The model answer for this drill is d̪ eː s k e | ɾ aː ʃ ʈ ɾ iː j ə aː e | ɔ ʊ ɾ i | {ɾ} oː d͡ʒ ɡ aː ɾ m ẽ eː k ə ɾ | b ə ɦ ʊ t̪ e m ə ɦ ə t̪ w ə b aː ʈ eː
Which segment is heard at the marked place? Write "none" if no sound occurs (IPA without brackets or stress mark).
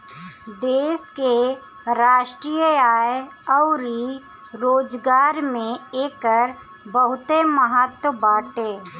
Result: ɾ